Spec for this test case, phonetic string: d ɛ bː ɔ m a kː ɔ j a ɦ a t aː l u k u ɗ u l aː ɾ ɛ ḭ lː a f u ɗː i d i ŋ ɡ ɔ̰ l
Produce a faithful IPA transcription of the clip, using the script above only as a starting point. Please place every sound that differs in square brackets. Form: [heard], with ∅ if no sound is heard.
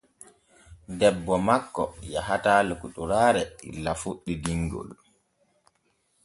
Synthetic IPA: d ɛ bː ɔ m a kː ɔ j a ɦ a t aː l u k u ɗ u [ɾ] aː ɾ ɛ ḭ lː a f u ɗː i d i ŋ ɡ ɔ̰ l